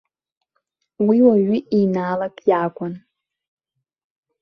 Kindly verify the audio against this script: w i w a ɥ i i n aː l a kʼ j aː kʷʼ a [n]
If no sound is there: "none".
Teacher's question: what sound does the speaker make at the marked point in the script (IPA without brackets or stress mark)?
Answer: n